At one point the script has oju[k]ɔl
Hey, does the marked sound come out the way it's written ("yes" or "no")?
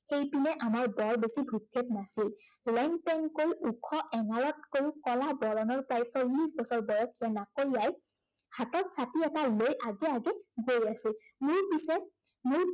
yes